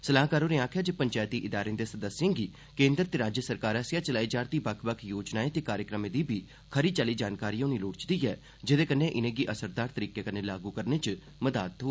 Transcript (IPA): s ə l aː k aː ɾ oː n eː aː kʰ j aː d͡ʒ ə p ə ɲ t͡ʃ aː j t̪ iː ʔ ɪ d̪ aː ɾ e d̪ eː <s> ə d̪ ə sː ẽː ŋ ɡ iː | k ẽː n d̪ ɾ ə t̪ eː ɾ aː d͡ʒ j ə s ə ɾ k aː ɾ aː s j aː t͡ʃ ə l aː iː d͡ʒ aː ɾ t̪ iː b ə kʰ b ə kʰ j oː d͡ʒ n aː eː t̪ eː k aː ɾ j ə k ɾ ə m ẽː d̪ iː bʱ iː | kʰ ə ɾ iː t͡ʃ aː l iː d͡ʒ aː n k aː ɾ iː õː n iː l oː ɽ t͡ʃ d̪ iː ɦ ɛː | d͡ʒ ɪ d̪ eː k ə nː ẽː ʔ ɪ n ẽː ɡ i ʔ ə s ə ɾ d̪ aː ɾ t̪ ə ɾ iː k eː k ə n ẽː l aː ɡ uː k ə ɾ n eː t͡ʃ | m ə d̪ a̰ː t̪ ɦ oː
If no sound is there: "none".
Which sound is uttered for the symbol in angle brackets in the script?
s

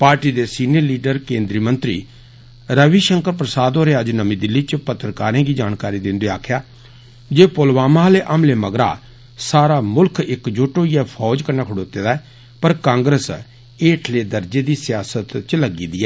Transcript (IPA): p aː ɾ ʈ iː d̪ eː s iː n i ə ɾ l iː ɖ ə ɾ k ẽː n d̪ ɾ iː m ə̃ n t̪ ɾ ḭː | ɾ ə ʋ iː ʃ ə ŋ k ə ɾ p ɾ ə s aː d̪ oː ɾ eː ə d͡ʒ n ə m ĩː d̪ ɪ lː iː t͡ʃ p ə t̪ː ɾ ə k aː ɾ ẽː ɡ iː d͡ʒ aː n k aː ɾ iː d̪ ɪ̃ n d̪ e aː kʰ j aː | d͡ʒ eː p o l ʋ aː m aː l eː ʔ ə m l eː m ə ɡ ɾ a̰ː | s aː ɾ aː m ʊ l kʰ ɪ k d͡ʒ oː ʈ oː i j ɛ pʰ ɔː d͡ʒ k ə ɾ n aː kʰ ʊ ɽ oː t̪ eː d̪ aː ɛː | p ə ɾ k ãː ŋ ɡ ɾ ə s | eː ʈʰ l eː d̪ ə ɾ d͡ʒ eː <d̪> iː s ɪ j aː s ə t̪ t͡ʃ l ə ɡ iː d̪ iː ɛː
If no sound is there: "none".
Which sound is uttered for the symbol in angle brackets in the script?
d̪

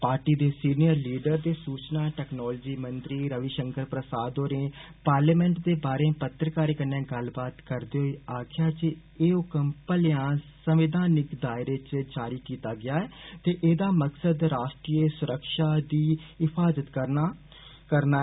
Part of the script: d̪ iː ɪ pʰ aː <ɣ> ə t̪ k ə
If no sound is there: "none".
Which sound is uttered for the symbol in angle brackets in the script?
z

